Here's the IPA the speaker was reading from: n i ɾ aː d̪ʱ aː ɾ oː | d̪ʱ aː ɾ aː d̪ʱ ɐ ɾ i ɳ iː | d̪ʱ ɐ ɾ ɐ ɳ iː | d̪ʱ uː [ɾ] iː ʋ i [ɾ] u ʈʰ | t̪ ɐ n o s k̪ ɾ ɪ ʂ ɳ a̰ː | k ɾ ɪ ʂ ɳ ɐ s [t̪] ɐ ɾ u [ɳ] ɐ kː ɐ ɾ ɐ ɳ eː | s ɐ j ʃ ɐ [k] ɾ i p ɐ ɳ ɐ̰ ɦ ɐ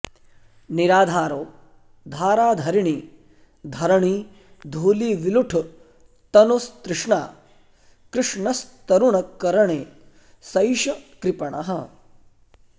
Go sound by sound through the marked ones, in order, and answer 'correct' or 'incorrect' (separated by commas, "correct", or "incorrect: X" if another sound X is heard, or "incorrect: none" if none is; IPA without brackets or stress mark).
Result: incorrect: l, incorrect: l, correct, correct, correct